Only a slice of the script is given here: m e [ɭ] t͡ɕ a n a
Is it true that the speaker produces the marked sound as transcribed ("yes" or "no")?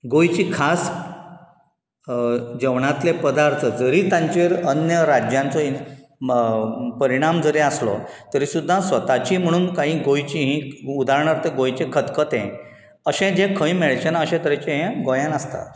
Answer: yes